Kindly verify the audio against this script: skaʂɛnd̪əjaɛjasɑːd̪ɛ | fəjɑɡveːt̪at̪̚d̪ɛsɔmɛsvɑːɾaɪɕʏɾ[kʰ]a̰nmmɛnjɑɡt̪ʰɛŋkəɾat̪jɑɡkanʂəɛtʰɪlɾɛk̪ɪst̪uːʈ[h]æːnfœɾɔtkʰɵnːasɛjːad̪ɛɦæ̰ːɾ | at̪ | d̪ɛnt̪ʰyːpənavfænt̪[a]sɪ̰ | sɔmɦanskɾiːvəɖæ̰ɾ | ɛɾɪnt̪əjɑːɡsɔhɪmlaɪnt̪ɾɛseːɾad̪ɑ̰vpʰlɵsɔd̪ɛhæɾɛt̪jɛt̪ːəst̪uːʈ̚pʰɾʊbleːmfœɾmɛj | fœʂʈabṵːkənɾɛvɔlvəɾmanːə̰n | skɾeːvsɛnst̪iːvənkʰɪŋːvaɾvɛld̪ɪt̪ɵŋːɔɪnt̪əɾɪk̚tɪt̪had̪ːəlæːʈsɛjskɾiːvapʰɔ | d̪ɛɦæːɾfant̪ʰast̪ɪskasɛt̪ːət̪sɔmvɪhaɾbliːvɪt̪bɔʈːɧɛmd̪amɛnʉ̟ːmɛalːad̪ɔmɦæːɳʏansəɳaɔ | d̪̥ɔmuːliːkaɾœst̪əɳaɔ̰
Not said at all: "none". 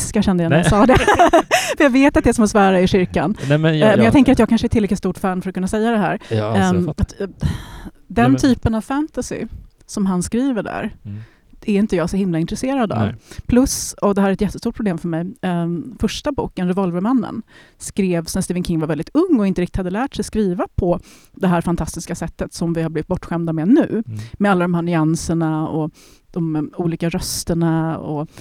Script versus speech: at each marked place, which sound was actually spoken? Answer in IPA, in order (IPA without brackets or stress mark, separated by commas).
k, f, a